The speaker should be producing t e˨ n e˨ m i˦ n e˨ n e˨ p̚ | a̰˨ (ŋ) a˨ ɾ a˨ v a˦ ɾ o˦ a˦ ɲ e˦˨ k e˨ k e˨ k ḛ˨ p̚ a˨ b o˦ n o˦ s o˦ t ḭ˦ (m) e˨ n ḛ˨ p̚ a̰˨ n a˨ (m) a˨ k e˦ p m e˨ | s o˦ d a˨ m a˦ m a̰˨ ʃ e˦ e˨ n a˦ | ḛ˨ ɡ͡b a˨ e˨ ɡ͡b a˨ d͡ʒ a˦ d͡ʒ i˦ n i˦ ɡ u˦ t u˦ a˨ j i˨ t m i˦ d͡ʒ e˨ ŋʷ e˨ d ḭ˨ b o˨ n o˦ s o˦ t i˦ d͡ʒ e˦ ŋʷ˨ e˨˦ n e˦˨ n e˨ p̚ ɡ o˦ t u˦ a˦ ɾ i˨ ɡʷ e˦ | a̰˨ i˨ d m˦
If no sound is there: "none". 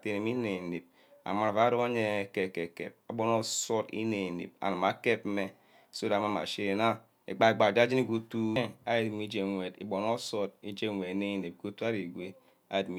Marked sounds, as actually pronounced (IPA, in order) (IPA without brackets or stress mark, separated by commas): m, n, m